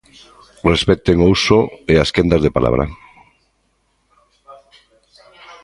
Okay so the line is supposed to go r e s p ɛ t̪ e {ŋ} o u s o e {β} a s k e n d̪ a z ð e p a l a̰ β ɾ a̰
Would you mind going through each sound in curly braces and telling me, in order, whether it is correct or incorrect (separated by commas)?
correct, incorrect